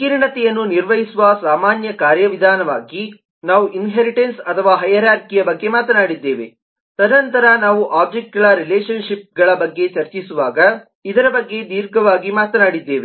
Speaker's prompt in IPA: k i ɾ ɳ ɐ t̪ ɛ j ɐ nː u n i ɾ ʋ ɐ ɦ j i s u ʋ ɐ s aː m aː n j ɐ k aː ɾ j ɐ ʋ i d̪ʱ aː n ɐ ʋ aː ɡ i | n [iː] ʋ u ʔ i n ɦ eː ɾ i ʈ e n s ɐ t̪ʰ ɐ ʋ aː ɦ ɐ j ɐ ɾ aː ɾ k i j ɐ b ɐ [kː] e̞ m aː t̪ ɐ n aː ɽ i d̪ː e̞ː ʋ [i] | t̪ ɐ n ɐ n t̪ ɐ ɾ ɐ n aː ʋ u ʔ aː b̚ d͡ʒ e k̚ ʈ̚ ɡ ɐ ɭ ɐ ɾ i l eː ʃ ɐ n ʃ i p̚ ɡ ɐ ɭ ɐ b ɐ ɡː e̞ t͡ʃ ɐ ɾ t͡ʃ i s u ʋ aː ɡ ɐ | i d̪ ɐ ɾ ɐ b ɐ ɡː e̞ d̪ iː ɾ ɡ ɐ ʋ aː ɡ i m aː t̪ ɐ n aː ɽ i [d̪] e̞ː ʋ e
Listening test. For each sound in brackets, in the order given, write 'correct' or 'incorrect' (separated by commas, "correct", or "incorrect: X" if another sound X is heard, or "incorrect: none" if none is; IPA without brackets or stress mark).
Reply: incorrect: aː, incorrect: ɡː, incorrect: e, incorrect: d̪ː